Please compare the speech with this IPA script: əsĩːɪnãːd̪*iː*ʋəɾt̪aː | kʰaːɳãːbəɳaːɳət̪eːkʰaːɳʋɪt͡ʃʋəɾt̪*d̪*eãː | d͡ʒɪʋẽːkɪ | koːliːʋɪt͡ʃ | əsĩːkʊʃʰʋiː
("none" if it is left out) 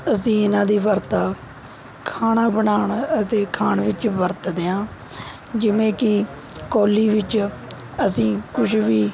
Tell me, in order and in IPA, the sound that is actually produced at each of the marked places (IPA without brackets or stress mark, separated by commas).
iː, d̪